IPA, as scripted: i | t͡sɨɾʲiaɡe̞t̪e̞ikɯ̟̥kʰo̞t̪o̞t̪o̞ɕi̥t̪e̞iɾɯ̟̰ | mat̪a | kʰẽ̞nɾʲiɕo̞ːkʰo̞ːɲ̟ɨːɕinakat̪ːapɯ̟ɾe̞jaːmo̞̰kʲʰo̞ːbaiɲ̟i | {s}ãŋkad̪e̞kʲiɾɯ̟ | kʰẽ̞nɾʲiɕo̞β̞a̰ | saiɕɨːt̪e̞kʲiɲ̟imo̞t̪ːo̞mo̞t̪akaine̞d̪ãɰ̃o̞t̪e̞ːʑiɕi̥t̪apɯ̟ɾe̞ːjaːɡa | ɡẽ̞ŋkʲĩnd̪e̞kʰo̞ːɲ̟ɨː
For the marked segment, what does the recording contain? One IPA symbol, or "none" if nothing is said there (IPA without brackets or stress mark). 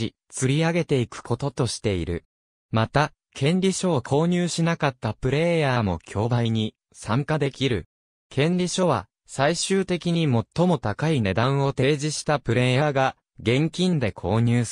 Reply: s